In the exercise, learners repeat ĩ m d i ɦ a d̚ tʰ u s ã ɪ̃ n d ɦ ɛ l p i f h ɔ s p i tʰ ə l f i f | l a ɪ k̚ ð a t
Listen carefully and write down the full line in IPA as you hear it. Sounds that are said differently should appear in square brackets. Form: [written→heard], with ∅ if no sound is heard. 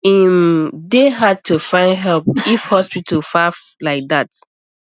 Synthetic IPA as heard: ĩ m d [i→e] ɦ a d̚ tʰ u [s→f] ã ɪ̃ n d ɦ ɛ l p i f h ɔ s p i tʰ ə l f [i→a] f | l a ɪ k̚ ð a t

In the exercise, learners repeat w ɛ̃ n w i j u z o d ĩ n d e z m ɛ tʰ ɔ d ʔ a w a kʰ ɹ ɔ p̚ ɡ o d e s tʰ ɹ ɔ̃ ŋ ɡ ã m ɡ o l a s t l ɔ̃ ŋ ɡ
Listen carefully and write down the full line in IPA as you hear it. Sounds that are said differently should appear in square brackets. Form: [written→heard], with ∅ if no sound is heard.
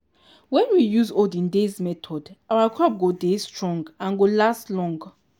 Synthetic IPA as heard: w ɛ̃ n w i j u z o d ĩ n d e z m ɛ tʰ ɔ d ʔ a w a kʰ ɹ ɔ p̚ ɡ o d e s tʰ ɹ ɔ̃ ŋ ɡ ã [m→n] ɡ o l a s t l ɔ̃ ŋ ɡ

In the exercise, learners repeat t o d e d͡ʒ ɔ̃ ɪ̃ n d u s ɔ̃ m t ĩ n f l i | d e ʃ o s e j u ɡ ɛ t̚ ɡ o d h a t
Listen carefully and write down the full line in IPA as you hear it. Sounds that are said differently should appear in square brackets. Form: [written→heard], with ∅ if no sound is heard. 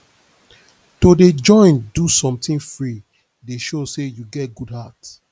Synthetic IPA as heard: t o d e d͡ʒ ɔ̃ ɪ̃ n d u s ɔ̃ m t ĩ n f [l→ɹ] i | d e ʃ o s e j u ɡ ɛ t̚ ɡ [o→u] d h a t

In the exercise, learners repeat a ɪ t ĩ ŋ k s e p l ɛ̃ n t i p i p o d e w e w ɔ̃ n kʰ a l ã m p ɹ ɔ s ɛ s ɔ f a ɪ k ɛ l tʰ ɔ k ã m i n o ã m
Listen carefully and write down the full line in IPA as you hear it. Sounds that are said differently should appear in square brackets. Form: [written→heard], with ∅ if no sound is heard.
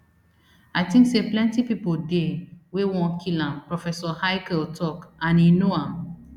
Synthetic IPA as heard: a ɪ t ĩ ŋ k s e p l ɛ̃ n t i p i p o d e w e w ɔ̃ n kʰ [a→i] l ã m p ɹ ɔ [s→f] ɛ s ɔ [f→h] a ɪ k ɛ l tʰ ɔ k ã [m→n] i n o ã m

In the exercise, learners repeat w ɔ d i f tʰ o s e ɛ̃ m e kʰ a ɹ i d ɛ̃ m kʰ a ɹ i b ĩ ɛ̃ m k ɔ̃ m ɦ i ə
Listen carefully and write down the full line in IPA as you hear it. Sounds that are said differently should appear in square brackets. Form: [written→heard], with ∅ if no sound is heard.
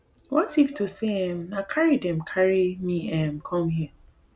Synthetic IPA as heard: w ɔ [d→t] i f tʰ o s e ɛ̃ m [e→a] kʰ a ɹ i d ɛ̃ m kʰ a ɹ i [b→m] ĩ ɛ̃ m [k→kʰ] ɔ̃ m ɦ i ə

